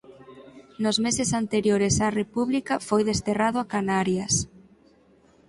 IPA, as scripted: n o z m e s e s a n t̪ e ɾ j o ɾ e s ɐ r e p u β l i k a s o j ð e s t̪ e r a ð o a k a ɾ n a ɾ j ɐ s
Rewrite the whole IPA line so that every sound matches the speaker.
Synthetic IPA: n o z m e s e s a n t̪ e ɾ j o ɾ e s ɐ r e p u β l i k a f o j ð e s t̪ e r a ð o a k a n a ɾ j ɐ s